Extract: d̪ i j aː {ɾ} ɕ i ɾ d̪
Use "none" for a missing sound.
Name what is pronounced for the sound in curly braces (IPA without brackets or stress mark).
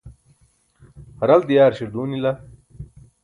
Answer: ɾ